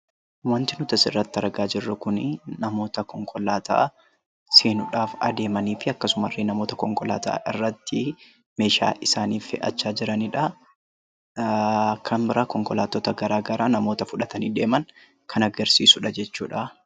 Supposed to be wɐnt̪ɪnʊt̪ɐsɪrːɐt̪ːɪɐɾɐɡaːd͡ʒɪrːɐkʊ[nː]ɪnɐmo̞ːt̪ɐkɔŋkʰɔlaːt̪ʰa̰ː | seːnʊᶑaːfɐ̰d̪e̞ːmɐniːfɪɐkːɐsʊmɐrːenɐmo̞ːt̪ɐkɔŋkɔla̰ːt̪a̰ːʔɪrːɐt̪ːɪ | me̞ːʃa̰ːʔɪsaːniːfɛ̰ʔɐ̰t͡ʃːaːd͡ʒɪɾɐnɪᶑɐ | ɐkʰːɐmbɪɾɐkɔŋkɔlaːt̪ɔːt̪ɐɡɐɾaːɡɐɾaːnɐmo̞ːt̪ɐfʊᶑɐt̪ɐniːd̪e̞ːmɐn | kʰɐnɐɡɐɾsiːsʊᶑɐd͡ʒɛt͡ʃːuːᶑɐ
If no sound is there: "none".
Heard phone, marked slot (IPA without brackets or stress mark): n